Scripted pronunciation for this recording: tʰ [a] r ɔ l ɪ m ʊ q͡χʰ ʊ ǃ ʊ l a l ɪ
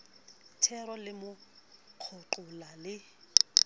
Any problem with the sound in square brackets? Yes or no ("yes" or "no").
yes